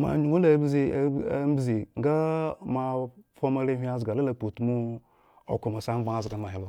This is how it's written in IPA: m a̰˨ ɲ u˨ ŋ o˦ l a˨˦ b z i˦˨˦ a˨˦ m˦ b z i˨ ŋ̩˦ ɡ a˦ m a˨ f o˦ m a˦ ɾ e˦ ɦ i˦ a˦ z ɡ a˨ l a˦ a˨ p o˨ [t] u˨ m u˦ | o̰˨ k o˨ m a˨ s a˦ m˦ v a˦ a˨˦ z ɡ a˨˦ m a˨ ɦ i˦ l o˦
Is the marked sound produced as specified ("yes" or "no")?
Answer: yes